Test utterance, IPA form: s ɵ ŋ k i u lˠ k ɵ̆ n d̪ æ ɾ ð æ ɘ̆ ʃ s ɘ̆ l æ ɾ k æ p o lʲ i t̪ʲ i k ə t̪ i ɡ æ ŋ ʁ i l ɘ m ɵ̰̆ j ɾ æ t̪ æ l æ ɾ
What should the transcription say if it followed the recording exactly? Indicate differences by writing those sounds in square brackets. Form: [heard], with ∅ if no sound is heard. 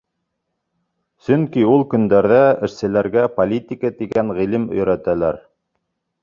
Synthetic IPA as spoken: s ɵ ŋ k i u lˠ k ɵ̆ n d̪ æ ɾ ð æ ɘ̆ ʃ s ɘ̆ l æ ɾ [ɡ] æ p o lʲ i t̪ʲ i k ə t̪ i ɡ æ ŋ ʁ i l ɘ m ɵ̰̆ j ɾ æ t̪ æ l æ ɾ